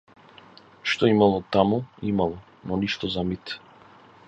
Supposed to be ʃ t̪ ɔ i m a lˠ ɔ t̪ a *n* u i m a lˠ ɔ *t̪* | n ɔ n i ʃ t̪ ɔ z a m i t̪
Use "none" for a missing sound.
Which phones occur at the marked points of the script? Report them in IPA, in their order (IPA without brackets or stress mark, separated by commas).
m, none